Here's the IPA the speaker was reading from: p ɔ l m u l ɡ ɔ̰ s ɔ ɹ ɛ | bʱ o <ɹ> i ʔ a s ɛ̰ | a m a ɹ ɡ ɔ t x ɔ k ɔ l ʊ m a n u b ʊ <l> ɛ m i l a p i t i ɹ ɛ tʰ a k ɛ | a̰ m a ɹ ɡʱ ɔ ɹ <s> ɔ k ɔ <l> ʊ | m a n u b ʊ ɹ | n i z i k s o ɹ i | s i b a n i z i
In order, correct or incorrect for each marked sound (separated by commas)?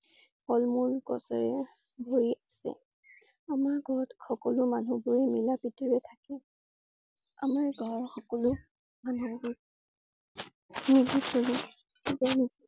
correct, incorrect, incorrect, correct